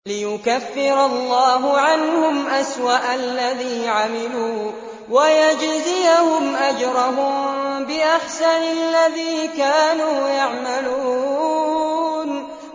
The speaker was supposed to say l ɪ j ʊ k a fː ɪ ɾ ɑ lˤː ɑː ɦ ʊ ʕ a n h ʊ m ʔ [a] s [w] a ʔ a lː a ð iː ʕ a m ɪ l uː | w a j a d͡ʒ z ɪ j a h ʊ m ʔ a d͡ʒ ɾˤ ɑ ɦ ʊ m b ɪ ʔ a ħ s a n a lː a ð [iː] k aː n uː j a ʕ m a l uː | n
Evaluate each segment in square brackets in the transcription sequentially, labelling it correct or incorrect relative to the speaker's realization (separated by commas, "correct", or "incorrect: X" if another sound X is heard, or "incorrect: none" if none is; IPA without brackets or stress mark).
correct, correct, correct